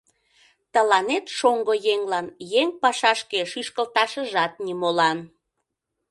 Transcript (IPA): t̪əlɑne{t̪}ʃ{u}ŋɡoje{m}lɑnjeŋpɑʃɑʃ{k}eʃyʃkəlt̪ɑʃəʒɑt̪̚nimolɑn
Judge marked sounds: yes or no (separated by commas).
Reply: yes, no, no, yes